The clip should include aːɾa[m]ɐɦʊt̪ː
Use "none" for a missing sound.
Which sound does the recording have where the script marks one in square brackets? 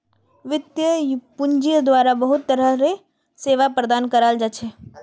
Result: b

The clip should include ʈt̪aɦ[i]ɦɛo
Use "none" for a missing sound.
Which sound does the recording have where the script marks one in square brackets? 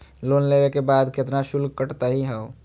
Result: i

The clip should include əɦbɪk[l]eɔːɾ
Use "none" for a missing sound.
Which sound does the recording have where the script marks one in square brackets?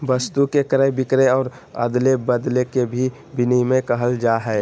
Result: ɾ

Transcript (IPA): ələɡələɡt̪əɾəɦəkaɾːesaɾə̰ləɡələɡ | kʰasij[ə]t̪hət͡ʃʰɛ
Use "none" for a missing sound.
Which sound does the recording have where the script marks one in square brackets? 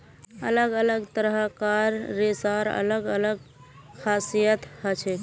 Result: ə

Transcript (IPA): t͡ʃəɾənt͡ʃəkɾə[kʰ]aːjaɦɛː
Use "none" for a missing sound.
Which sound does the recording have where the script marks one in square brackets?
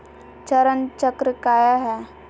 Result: k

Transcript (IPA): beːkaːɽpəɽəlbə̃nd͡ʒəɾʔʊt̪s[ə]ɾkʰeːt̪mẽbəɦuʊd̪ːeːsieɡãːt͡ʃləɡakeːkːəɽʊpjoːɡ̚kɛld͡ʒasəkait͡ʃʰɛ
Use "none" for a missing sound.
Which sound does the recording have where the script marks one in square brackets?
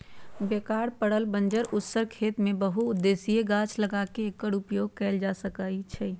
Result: ə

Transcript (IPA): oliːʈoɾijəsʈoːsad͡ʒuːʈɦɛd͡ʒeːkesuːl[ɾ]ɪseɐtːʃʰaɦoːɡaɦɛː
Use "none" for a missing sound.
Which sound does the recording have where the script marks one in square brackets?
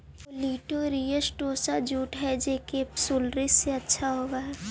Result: ɾ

